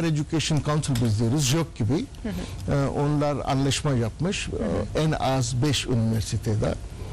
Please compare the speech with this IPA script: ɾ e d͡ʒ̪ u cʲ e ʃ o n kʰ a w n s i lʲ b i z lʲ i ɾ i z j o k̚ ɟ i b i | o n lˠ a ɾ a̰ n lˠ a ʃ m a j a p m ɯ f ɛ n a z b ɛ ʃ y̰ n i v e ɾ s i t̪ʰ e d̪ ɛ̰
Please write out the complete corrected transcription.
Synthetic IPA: ɾ e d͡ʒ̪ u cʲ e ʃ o n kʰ a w n s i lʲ b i z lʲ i ɾ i z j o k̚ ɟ i b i | o n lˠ a ɾ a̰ n lˠ a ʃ m a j a p m ɯ ʃ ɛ n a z b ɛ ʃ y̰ n i v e ɾ s i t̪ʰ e d̪ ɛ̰